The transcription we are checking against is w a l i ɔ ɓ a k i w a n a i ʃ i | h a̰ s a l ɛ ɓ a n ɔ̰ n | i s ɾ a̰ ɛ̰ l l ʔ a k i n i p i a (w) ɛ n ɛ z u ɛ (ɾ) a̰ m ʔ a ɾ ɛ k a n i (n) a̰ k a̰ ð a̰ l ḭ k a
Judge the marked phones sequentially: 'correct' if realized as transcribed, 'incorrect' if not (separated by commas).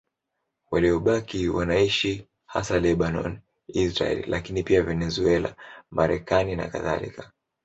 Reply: incorrect, incorrect, correct